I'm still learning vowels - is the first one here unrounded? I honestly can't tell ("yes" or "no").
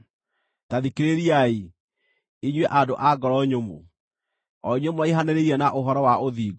yes